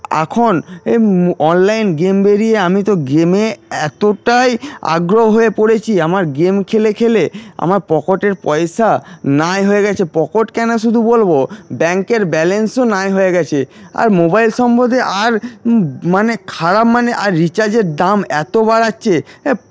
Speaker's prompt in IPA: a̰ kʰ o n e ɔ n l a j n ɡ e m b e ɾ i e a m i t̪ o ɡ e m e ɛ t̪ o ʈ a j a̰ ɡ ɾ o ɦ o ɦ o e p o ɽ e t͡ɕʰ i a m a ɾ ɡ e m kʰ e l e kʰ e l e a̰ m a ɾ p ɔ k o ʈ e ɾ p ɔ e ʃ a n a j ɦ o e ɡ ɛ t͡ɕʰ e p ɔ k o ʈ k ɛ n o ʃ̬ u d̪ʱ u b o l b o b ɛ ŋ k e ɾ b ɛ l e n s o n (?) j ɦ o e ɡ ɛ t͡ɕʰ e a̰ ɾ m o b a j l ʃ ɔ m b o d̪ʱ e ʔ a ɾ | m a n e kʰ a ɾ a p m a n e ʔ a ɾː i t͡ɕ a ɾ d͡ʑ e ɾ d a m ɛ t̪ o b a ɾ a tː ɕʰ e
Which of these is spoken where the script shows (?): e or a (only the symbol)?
a